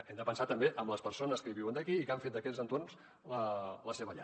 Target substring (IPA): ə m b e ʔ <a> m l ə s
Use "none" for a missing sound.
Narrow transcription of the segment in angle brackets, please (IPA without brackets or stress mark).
ə